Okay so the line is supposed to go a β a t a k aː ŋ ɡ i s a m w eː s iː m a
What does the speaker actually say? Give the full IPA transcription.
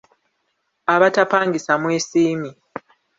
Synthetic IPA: a β a t a p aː ŋ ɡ i s a m w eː s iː m i